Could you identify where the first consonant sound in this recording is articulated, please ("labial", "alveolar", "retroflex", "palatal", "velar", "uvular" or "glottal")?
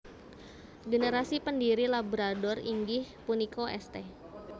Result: velar